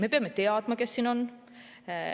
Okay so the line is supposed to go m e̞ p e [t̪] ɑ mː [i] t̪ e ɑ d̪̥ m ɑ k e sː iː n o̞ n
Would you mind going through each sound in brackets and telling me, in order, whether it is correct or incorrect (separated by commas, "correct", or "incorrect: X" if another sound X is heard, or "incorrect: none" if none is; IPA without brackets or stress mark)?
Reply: incorrect: none, incorrect: e